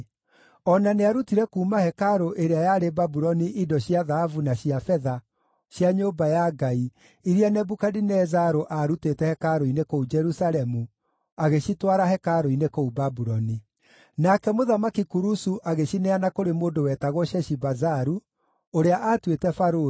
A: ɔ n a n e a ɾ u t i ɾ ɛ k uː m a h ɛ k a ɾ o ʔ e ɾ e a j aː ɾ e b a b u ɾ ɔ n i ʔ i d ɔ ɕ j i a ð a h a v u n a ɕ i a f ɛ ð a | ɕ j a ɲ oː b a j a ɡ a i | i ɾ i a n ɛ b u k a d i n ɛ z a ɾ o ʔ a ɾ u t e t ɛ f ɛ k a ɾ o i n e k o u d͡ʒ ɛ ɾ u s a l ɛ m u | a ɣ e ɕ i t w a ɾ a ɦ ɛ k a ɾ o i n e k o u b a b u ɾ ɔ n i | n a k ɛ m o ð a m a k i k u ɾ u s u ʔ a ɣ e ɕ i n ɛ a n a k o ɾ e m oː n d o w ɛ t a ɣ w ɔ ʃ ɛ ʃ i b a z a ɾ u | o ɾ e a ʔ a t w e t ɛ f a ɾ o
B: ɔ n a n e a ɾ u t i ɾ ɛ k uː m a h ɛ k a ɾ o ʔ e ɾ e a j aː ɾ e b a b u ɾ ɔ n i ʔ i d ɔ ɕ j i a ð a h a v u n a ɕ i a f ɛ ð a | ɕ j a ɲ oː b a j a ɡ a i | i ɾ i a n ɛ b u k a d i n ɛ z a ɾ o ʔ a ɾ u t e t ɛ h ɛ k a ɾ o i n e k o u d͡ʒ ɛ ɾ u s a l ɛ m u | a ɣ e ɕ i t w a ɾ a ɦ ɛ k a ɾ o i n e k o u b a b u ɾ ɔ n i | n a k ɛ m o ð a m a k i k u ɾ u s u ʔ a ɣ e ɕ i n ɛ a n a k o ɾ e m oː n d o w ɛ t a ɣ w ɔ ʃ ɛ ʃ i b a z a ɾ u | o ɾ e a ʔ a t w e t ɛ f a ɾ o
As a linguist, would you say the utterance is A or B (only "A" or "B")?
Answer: B